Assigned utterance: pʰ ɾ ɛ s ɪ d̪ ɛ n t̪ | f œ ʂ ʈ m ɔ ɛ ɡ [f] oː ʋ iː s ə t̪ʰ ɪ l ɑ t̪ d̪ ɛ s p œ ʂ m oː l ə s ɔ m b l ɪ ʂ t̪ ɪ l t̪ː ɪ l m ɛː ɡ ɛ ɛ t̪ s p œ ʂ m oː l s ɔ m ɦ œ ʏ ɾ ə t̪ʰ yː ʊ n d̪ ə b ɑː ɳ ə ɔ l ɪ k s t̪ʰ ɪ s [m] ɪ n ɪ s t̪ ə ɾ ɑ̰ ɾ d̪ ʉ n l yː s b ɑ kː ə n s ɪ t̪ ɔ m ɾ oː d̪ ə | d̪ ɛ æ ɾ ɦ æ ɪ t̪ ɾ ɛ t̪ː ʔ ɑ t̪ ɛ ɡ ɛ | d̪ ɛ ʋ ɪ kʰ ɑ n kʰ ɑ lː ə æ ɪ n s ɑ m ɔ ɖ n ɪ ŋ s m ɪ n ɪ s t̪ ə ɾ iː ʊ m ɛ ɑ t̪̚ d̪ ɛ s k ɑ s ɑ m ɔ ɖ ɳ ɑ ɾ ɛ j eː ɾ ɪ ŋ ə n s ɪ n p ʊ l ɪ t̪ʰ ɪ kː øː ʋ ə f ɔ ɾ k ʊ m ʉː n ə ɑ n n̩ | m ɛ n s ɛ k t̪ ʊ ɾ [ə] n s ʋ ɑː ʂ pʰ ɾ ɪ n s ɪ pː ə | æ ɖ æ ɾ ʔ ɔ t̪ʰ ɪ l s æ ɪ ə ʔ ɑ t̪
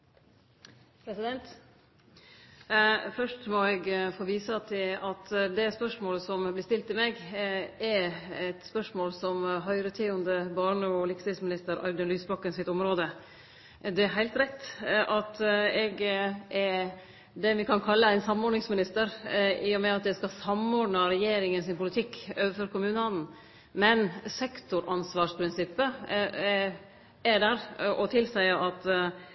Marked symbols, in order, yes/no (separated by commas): yes, yes, no